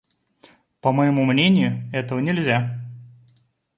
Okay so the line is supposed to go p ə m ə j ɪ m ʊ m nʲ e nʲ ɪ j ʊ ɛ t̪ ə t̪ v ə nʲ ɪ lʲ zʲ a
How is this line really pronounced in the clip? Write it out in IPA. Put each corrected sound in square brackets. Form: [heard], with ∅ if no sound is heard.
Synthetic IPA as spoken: p ə m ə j ɪ m [u] m nʲ e nʲ ɪ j ʊ ɛ t̪ ə [∅] v ə nʲ ɪ lʲ zʲ a